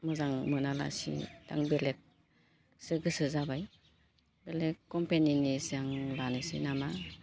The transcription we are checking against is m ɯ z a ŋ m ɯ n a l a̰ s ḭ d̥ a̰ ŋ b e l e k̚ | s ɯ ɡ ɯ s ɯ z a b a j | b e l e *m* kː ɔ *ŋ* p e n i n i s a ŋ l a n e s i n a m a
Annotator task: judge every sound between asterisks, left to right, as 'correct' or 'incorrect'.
incorrect: none, incorrect: m

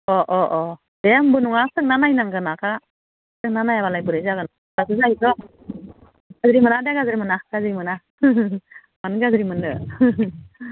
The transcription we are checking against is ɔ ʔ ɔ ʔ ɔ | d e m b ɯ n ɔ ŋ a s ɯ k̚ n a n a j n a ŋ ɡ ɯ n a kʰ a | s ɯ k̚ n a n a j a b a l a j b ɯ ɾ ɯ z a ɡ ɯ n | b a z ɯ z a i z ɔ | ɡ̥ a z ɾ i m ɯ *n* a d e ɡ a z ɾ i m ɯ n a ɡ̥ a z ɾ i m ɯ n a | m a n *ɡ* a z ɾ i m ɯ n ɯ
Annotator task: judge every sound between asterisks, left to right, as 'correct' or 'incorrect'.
correct, correct

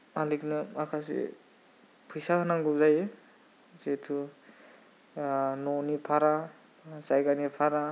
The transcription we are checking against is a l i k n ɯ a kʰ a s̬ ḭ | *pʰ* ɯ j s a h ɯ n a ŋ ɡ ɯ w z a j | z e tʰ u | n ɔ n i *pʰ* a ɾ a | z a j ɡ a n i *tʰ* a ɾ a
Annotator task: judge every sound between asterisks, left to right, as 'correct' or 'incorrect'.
correct, correct, incorrect: pʰ

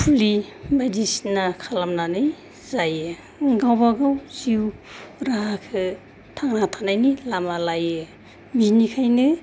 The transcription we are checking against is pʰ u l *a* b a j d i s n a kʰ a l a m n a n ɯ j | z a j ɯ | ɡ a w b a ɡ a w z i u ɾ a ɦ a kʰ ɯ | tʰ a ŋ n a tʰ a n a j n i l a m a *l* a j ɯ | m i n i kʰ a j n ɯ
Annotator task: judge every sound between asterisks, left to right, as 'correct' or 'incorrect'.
incorrect: i, correct

